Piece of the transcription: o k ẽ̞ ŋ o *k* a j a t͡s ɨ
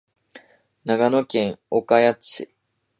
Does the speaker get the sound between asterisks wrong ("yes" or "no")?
no